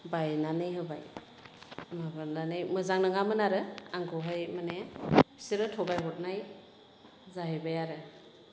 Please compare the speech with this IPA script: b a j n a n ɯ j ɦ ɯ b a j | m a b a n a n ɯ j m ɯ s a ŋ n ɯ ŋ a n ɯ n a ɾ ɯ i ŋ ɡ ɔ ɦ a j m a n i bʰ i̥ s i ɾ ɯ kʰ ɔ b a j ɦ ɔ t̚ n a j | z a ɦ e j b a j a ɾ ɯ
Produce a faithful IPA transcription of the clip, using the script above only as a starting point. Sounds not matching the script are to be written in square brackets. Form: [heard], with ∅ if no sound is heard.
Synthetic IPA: b a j n a n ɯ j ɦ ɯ b a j | m a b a n a n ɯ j m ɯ [z] a ŋ n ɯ ŋ a [m] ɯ n a ɾ ɯ [a] ŋ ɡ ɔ ɦ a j m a n [e] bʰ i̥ s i ɾ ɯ [tʰ] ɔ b a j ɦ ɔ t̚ n a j | z a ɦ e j b a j a ɾ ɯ